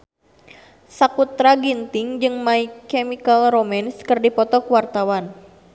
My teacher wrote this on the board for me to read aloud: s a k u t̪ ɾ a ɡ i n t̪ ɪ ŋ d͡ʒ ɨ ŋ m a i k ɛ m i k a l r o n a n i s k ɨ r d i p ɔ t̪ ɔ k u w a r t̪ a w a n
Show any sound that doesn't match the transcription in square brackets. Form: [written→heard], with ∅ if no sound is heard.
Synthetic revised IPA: s a k u t̪ ɾ a ɡ i n t̪ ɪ ŋ d͡ʒ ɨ ŋ m a i k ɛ m i k a l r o [n→m] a n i s k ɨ r d i p ɔ t̪ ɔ k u w a r t̪ a w a n